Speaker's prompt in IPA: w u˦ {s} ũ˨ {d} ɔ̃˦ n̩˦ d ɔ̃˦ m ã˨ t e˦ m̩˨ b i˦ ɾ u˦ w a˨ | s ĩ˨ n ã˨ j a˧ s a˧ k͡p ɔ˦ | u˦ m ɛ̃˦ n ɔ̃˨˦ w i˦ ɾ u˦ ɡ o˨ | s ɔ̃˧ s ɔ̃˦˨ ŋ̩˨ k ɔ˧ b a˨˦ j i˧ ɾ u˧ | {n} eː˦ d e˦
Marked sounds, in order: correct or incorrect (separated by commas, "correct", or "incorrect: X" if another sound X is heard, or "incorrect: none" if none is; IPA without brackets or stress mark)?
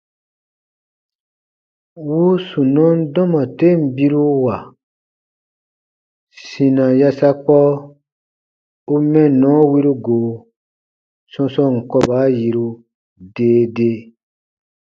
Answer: correct, incorrect: n, incorrect: d